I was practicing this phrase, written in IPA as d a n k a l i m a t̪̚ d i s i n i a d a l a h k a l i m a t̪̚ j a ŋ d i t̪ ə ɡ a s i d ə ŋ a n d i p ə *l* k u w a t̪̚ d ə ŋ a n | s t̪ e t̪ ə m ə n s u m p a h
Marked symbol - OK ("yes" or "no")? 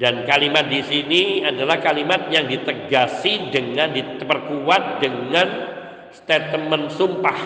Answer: no